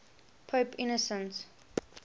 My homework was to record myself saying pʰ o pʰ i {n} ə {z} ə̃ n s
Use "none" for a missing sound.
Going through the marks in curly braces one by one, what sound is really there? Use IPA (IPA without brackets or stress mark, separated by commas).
n, s